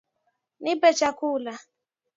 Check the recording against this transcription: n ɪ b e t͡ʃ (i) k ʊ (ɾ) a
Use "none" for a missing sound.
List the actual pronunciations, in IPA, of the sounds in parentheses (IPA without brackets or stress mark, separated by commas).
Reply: a, l